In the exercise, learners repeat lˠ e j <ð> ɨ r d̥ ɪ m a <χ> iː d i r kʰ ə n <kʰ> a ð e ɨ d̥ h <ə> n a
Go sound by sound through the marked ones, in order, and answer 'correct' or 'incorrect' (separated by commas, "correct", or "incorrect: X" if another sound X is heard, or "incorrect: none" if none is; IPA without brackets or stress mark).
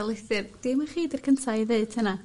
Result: incorrect: θ, correct, incorrect: tʰ, correct